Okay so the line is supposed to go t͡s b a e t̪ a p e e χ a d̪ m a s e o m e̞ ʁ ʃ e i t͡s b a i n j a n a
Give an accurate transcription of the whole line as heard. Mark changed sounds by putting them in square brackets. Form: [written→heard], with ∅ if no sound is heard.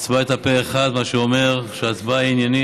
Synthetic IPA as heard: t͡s b a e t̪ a p e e χ a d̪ m a [s→ʃ] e o m e̞ ʁ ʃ e [i→a] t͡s b a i n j a n [a→i]